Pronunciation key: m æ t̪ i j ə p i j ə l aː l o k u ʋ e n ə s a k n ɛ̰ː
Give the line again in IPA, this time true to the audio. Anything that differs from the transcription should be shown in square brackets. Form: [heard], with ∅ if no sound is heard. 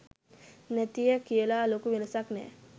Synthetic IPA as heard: [n] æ t̪ i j ə [k] i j ə l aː l o k u ʋ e n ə s a k n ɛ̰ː